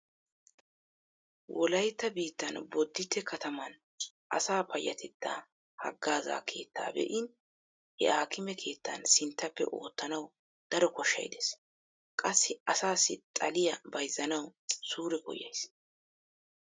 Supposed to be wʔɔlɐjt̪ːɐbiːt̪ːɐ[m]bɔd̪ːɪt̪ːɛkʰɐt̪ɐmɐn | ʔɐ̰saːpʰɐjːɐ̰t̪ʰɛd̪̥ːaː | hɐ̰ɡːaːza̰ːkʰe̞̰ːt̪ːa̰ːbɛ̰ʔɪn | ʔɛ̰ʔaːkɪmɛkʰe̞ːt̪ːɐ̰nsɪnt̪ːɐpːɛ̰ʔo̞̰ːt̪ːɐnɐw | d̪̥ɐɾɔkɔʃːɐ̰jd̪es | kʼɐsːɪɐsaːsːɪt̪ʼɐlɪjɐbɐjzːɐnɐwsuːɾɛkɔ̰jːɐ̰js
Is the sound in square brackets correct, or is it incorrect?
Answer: incorrect